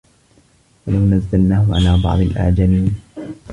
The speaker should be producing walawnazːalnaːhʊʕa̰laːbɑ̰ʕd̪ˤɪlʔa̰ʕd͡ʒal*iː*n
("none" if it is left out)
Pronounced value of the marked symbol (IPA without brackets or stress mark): iː